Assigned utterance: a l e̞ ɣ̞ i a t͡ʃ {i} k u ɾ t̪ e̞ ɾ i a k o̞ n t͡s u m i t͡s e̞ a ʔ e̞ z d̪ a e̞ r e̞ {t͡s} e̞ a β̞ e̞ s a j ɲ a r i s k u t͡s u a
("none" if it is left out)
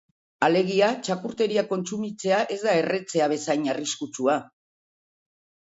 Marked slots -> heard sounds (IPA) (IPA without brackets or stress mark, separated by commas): a, t͡s